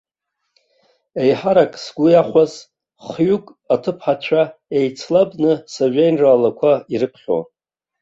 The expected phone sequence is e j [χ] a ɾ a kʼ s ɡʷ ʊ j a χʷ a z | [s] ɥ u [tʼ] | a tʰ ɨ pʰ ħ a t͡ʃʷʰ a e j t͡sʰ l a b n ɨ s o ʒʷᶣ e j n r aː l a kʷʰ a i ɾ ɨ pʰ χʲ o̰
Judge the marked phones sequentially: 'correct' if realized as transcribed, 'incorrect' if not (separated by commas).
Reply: incorrect, incorrect, incorrect